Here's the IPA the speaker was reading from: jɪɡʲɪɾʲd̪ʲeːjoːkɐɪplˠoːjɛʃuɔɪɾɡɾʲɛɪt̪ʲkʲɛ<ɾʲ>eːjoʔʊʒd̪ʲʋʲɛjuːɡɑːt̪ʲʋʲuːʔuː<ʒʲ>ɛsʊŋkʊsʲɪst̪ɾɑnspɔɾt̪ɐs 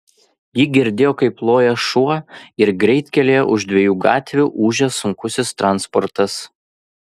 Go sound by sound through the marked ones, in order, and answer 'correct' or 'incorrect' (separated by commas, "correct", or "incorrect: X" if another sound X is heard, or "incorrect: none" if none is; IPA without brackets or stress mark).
incorrect: lʲ, correct